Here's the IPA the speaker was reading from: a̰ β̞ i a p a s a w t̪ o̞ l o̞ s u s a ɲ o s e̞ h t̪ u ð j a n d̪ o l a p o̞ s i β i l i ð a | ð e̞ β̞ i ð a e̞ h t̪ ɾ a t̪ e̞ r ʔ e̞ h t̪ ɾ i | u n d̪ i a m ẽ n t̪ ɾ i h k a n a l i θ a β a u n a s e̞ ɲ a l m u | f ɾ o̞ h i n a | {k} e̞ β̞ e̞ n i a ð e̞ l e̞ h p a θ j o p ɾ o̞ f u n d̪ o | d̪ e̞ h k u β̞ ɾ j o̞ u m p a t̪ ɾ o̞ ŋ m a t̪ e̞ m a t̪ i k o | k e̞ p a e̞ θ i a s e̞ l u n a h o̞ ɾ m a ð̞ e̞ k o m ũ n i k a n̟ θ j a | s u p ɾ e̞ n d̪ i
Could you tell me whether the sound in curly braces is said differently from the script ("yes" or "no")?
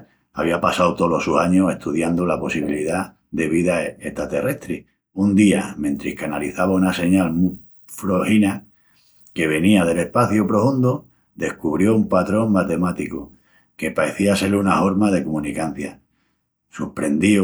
no